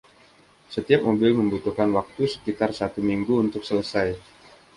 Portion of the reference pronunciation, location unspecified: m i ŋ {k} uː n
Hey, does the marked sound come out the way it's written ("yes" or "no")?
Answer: no